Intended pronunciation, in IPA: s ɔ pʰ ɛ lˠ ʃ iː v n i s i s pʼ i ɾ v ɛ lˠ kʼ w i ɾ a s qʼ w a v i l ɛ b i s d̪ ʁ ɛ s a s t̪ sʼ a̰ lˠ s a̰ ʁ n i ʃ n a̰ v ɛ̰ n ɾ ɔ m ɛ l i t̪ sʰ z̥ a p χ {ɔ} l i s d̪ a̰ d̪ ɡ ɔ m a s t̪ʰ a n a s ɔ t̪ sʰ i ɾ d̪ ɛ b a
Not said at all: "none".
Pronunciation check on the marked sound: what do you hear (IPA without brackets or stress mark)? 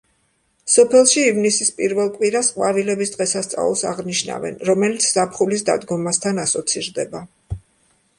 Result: u